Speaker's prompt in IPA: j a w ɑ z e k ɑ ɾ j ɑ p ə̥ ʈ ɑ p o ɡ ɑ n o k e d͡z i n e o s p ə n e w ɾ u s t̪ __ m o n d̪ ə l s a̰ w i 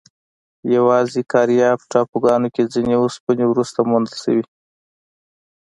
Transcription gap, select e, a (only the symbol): a